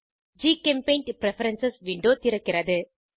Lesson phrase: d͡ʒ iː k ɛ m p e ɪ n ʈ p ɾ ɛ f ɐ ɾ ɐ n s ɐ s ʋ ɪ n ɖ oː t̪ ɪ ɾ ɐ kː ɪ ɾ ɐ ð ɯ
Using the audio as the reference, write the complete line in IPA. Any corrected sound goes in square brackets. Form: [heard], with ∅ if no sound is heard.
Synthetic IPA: d͡ʒ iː k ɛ m p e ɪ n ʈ p ɾ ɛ f ɐ ɾ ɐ n s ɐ s ʋ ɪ [ɳ] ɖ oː t̪ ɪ ɾ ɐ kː ɪ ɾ ɐ ð ɯ

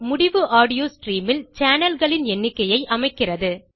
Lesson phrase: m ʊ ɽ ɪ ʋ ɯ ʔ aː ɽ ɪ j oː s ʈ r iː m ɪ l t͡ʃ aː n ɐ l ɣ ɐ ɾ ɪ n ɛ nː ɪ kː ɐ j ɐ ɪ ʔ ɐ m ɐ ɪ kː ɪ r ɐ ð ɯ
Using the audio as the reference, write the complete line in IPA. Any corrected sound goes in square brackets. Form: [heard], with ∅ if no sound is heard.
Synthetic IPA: m ʊ ɽ ɪ ʋ ɯ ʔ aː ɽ ɪ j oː s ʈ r iː m ɪ l t͡ʃ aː n ɐ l ɣ ɐ [ɭ] ɪ n ɛ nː ɪ kː ɐ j ɐ ɪ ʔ ɐ m ɐ ɪ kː ɪ r ɐ ð ɯ

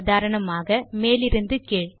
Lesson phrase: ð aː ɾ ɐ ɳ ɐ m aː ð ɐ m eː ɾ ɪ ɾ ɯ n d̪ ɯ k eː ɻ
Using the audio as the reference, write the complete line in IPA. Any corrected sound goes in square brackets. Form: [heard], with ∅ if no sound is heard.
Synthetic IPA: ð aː ɾ ɐ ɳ ɐ m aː [ɣ] ɐ m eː [l] ɪ ɾ ɯ n d̪ ɯ k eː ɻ

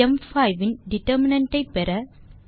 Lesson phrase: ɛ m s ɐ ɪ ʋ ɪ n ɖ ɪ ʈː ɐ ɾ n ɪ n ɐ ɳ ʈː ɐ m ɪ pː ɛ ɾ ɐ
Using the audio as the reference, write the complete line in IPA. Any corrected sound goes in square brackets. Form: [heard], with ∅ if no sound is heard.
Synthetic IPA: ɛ m [f] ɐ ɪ ʋ ɪ n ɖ ɪ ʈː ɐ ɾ [m] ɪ n ɐ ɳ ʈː ɐ [∅] ɪ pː ɛ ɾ ɐ

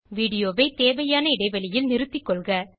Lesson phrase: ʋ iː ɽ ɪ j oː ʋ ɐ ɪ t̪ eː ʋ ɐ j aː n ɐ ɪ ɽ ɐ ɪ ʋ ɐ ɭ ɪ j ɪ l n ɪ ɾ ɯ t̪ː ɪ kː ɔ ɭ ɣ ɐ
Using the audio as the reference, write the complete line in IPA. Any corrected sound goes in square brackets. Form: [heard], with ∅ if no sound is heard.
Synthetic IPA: ʋ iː ɽ ɪ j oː ʋ ɐ ɪ t̪ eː ʋ ɐ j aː n ɐ ɪ ɽ ɐ ɪ ʋ ɐ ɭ ɪ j ɪ l n ɪ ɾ ɯ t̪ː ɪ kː ɔ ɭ ɣ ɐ

